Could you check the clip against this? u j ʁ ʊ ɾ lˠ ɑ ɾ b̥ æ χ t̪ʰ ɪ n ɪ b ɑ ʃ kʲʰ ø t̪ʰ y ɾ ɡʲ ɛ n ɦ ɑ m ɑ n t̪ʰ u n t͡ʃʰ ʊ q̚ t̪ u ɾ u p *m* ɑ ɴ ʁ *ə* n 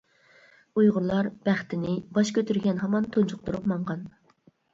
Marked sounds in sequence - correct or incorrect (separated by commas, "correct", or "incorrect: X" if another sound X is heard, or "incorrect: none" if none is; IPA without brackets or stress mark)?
correct, incorrect: ɑ